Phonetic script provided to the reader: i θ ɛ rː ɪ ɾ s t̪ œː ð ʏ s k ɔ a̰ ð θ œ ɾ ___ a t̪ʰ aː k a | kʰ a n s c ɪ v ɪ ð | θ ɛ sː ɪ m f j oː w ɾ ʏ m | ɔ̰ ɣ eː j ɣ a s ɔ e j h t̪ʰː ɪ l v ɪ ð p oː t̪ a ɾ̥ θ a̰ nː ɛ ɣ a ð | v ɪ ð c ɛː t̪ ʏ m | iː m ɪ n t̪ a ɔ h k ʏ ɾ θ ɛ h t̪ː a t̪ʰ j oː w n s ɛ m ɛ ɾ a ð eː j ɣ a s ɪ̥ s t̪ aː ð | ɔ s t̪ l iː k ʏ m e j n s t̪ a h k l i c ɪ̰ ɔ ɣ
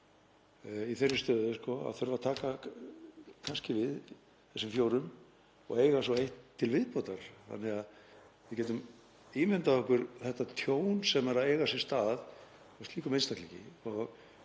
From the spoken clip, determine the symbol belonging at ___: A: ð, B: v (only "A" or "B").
B